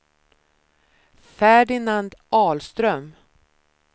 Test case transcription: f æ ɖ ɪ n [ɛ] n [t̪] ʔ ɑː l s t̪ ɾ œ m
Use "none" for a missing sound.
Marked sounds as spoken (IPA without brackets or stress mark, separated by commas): a, d̪